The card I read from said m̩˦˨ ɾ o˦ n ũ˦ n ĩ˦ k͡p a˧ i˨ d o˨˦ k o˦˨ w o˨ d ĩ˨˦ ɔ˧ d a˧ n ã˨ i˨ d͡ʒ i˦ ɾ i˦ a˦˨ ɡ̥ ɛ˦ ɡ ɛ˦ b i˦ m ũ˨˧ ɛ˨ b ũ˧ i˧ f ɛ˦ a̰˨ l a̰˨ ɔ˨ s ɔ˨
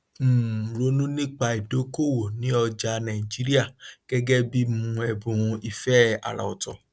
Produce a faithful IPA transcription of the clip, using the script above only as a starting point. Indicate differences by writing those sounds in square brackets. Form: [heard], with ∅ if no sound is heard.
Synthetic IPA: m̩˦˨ ɾ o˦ n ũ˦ n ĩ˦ k͡p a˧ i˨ d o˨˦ k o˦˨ w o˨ [n] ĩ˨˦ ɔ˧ [d͡ʒ] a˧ n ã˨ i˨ d͡ʒ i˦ ɾ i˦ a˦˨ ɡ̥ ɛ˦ ɡ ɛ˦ b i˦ m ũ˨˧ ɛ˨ b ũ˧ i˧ f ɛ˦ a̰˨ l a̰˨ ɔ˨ [t] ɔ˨